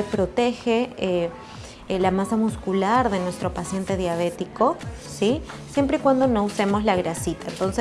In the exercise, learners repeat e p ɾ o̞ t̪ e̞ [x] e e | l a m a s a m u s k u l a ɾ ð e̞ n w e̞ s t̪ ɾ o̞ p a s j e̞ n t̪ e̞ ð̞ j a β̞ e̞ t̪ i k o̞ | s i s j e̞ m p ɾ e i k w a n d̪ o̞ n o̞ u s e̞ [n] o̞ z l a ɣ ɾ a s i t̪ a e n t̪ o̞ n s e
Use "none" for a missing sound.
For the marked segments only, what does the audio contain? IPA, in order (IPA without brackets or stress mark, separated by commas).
x, m